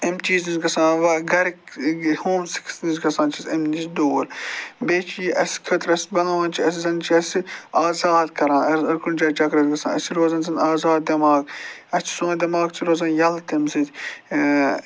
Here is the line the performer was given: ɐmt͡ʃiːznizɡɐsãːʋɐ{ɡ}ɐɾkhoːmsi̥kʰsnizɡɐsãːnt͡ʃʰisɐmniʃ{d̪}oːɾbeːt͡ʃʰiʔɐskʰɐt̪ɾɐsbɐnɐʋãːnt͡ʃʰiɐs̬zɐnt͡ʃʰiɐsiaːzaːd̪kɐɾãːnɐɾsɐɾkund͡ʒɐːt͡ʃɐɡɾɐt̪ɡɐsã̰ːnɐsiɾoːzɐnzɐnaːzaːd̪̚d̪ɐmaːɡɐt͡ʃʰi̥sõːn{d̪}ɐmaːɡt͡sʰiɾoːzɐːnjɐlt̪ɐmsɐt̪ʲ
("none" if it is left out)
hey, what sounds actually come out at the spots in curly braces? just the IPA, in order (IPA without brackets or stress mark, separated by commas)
ɡ, d̪, d̪